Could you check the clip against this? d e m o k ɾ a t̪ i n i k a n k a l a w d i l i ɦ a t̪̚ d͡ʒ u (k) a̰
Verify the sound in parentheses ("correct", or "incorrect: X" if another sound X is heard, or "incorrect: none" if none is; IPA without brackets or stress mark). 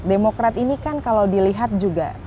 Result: incorrect: ɡ